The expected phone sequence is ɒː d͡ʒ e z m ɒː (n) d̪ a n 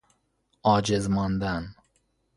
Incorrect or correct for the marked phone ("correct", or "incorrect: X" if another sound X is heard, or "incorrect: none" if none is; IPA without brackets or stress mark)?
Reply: correct